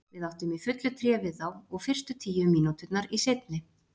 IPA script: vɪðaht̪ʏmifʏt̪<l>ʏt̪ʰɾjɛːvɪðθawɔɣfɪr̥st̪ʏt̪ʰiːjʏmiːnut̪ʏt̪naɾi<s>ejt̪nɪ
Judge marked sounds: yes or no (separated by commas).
yes, yes